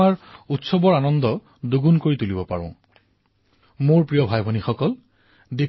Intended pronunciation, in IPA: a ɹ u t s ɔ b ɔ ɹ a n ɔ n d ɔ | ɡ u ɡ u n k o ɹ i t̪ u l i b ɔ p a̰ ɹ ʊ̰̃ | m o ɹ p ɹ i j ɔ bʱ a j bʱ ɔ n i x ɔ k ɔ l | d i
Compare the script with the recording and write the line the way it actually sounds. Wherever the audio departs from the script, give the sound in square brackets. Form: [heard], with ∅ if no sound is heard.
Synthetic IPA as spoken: a ɹ u t s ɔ b ɔ ɹ a n ɔ n d ɔ | [d] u ɡ u n k o ɹ i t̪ u l i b ɔ p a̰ ɹ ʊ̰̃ | m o ɹ p ɹ i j ɔ bʱ a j bʱ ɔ n i x ɔ k ɔ l | d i

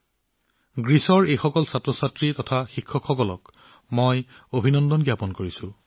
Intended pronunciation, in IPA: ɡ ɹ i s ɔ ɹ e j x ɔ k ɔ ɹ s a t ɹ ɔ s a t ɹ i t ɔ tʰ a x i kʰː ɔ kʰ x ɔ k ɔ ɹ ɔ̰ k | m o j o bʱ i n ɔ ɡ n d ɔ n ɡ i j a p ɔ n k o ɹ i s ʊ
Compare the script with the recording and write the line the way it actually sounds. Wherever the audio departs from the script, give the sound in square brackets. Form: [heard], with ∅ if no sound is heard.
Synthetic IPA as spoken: ɡ ɹ i s ɔ ɹ e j x ɔ k ɔ [l] s a t ɹ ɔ s a t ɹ i t ɔ tʰ a x i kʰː ɔ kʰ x ɔ k ɔ [l] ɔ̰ k | m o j o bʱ i n ɔ [∅] n d ɔ n ɡ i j a p ɔ n k o ɹ i s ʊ

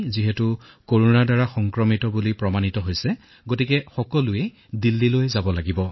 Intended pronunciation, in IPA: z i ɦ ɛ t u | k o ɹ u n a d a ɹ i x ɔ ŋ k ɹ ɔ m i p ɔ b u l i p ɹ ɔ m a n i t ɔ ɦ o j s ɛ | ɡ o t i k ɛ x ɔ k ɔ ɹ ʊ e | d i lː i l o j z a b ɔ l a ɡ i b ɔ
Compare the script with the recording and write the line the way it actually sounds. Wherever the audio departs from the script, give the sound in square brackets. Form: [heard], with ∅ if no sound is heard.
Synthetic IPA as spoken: z i ɦ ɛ t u | k o ɹ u n a d a ɹ [a] x ɔ ŋ k ɹ ɔ m i [t] ɔ b u l i p ɹ ɔ m a n i t ɔ ɦ o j s ɛ | ɡ o t i k ɛ x ɔ k ɔ [l] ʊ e | d i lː i l o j z a b ɔ l a ɡ i b ɔ

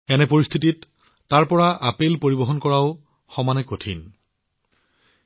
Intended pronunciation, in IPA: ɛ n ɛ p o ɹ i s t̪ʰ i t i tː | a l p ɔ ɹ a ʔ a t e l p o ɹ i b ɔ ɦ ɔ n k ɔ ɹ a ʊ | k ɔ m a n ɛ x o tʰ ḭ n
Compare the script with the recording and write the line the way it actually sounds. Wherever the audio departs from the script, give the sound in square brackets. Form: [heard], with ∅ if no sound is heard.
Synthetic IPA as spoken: ɛ n ɛ p o ɹ i s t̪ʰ i t i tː | a [ɹ] p ɔ ɹ a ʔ a [p] e l p o ɹ i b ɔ ɦ ɔ n k ɔ ɹ a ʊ | [x] ɔ m a n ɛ [k] o tʰ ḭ n

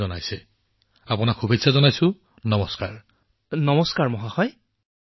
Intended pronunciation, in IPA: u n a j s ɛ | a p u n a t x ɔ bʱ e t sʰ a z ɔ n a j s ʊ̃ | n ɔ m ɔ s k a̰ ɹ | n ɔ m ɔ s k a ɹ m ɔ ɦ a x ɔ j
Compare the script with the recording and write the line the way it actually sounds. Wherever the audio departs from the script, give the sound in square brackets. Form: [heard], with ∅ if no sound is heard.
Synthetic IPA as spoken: [ɔ] n a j s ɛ | a p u n a [k] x [u] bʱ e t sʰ a z ɔ n a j s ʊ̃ | n ɔ m ɔ s k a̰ ɹ | n ɔ m ɔ s k a ɹ m ɔ ɦ a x ɔ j

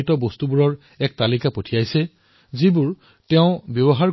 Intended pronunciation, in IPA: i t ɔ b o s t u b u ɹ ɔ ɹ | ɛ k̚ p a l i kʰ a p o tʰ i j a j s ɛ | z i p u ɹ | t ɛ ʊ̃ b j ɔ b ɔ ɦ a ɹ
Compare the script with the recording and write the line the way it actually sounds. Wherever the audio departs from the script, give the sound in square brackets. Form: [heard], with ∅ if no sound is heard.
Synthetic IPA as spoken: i t ɔ b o s t u b u ɹ ɔ ɹ | ɛ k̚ [t] a l i [k] a p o tʰ i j a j s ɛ | z i [b] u ɹ | t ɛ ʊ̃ b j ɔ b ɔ ɦ a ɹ

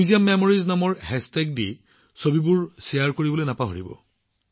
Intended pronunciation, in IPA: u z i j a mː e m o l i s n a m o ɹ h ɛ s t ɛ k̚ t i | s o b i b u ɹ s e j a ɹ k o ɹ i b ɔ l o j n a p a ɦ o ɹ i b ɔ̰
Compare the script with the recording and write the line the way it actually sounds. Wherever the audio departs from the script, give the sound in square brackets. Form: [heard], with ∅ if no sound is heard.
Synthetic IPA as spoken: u z i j a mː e m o [ɹ] i [z] n a m [ɔ] ɹ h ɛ s t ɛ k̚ [d] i | s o b i b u ɹ s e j a ɹ k o ɹ i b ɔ l o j n a p a ɦ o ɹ i b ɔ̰

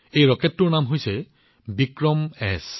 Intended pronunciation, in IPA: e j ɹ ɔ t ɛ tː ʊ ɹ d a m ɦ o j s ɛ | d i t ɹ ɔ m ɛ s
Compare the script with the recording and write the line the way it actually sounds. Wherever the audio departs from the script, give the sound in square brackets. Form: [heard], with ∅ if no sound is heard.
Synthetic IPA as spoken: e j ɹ ɔ [k] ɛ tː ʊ ɹ [n] a m ɦ o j s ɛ | [b] i [k] ɹ ɔ m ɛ s

